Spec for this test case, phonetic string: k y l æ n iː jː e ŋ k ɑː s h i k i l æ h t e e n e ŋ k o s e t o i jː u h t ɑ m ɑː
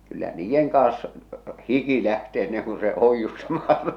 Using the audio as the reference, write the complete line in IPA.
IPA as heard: k y lː æ n iː jː e ŋ k ɑː s h i k i l æ h t e e nː e ŋ k u s e o i jː u s t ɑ m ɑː